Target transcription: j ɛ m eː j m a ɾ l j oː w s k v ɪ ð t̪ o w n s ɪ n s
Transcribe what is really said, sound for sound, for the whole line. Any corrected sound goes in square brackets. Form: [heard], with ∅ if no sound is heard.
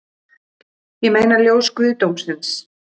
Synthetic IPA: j ɛ m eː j [n] a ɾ l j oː w s k v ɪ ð t̪ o w [m] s ɪ n s